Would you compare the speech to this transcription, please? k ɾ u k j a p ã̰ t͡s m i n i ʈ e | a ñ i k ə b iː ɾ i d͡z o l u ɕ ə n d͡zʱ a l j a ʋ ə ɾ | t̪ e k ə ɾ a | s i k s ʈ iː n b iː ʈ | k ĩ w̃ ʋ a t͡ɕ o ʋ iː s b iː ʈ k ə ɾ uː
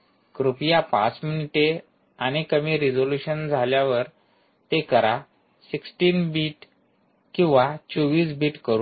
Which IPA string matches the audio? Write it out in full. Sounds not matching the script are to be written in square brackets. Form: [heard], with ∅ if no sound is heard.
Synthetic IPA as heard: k ɾ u [p] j a p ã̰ t͡s m i n i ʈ e | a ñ i k ə [m] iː ɾ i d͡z o l u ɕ ə n d͡zʱ a l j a ʋ ə ɾ | t̪ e k ə ɾ a | s i k s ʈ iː n b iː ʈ | k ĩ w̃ ʋ a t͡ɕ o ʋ iː s b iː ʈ k ə ɾ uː